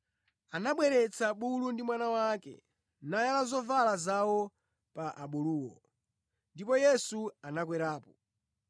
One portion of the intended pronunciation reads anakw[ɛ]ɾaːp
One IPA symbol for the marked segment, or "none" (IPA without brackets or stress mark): ɛ